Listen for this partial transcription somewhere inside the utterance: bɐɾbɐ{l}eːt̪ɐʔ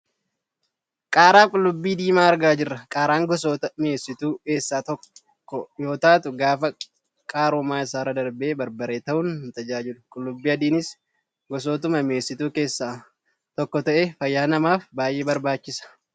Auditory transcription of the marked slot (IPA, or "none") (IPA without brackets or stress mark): ɾ